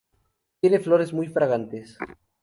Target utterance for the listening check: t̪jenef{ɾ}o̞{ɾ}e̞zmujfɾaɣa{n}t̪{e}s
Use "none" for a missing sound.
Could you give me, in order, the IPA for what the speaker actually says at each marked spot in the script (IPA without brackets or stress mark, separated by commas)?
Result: l, ɾ, n, e